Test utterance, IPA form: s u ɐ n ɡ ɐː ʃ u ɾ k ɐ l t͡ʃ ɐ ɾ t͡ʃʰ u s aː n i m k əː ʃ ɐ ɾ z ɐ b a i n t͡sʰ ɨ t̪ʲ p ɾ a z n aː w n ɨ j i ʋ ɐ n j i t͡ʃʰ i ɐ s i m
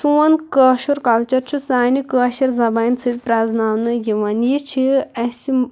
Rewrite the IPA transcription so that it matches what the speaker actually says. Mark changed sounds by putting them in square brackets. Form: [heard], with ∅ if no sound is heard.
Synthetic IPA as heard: s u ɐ n [k] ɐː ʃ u ɾ k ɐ l t͡ʃ ɐ ɾ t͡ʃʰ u s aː n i [∅] k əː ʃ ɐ ɾ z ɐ b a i n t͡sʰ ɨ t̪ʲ p ɾ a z n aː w n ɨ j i ʋ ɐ n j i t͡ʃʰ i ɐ s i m